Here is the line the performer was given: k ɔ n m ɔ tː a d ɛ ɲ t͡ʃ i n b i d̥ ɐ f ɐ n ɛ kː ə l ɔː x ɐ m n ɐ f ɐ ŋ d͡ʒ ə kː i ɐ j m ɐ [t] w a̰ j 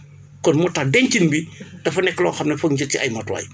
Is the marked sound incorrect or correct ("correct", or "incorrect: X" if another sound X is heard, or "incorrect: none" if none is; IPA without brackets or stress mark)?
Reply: correct